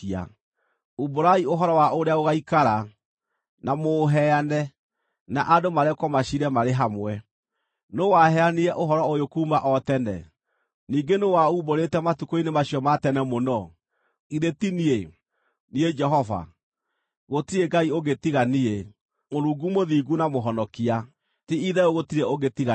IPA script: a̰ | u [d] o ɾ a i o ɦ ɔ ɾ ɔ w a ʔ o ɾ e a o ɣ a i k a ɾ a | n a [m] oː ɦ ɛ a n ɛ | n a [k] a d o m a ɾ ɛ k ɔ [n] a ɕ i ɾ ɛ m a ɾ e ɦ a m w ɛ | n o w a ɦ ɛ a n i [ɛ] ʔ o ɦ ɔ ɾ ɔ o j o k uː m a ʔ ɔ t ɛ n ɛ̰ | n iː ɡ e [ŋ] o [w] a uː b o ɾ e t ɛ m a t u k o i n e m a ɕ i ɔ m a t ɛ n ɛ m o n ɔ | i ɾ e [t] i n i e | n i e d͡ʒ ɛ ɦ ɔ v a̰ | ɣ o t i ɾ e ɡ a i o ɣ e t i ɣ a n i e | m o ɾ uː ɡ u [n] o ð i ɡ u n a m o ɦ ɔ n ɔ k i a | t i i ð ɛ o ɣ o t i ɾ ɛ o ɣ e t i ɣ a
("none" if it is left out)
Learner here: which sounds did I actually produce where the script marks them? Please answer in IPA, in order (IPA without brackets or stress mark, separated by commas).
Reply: b, m, ʔ, m, ɛ, n, w, t, m